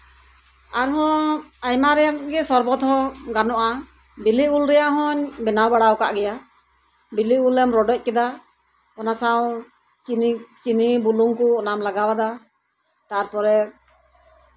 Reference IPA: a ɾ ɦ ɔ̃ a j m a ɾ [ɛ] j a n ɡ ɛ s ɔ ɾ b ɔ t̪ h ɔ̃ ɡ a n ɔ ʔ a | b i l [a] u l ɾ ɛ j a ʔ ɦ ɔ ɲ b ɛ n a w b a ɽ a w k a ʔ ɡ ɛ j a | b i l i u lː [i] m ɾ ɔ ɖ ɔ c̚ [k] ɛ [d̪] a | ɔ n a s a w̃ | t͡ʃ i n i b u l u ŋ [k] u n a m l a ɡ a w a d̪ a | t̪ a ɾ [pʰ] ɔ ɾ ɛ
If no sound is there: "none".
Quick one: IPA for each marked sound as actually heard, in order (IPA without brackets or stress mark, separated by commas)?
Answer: ɛ, i, ɛ, k, d̪, k, p